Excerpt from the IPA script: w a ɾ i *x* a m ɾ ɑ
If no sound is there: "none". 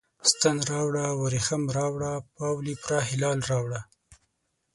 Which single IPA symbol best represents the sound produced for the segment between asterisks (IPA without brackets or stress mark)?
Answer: x